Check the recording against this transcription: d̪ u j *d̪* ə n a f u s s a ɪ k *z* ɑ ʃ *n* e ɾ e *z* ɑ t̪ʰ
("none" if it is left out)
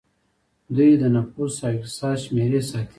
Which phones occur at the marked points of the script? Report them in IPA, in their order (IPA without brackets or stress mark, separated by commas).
d̪, s, m, s